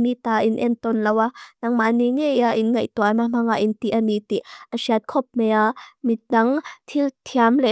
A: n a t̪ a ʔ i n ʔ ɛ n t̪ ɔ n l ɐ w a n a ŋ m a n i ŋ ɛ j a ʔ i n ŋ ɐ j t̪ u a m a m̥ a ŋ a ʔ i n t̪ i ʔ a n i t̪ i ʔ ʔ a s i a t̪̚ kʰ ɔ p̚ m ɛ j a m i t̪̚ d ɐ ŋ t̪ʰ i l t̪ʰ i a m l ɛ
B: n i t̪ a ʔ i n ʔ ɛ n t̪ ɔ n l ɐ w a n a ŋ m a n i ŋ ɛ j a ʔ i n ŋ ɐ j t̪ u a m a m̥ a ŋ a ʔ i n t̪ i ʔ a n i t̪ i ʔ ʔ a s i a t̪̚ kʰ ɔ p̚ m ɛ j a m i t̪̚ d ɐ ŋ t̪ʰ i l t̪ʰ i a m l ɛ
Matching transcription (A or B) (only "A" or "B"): B